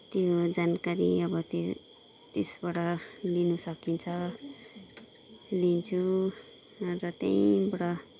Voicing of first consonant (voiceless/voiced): voiceless